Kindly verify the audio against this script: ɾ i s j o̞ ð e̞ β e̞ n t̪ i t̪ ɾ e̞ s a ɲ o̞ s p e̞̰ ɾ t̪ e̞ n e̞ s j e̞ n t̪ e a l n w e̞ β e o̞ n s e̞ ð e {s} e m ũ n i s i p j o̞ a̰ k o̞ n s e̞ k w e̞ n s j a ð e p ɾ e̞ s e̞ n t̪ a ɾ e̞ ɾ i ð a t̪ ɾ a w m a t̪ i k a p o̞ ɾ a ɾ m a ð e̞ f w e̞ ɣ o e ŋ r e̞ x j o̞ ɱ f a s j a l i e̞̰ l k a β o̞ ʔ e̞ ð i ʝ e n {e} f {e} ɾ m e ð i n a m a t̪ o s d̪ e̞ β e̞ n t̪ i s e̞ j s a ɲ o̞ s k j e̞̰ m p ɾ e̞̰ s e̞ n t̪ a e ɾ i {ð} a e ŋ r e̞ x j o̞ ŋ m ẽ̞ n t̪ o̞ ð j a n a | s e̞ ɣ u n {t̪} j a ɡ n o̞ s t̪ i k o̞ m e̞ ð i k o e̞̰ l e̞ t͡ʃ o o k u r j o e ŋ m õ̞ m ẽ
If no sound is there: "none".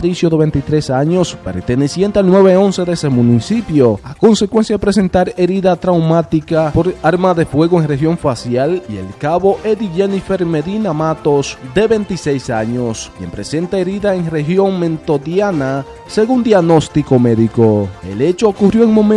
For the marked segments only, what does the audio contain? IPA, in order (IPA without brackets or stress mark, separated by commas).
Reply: s, i, e, ð, d̪